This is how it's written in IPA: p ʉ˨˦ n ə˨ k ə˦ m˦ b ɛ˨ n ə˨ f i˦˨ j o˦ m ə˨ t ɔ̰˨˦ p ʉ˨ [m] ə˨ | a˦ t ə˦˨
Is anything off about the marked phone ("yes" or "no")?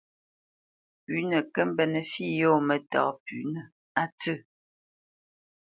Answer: yes